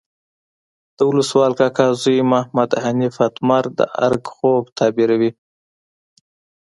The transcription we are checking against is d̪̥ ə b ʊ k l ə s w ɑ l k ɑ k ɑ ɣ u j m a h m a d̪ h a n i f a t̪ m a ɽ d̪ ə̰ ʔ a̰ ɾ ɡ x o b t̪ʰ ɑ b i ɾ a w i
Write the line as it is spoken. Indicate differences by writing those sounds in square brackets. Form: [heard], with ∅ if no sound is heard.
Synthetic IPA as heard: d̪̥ ə [w] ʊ [∅] l ə s w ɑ l k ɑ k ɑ [z] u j m a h m a d̪ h a n i f a t̪ m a [ɾ] d̪ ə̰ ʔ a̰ ɾ ɡ x o b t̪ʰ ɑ b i ɾ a w i